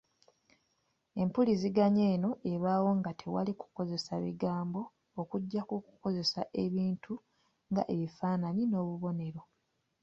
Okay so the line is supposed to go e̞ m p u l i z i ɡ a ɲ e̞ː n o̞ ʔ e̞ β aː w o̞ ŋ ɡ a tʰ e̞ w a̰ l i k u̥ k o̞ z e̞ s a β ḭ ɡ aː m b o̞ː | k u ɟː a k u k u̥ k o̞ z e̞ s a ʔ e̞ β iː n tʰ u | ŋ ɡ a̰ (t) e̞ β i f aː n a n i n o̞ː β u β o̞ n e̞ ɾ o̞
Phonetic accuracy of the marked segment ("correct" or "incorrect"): incorrect